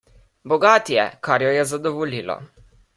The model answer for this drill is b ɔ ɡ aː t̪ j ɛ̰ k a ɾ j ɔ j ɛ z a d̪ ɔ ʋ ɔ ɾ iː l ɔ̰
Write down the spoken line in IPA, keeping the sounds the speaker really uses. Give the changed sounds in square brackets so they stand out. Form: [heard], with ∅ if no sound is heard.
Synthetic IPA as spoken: b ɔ ɡ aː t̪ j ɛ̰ k a ɾ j ɔ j ɛ z a d̪ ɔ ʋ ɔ [l] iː l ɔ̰